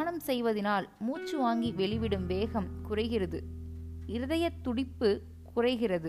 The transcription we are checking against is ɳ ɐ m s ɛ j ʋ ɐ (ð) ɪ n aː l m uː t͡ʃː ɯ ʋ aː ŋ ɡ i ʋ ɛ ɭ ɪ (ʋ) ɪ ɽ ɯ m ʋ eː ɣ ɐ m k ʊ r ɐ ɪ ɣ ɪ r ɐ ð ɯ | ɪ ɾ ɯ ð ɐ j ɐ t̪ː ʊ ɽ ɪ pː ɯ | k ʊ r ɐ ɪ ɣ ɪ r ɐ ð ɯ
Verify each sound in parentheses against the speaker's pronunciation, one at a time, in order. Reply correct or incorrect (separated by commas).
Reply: correct, correct